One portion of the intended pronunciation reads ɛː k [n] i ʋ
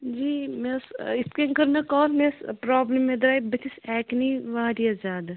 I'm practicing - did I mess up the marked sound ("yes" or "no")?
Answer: no